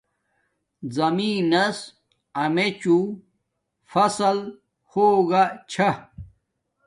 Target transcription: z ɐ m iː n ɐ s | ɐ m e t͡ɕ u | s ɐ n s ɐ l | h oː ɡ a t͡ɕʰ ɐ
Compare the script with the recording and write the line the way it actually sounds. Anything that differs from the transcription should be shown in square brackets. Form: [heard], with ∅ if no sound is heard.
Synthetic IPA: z ɐ m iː n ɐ s | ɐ m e t͡ɕ u | [f] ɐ [∅] s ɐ l | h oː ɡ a t͡ɕʰ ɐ